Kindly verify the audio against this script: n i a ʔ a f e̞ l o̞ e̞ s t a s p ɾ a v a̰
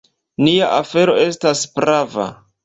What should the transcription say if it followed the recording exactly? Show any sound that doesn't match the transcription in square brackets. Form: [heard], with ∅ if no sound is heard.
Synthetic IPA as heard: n i a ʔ a f e̞ [ɾ] o̞ e̞ s t a s p ɾ a v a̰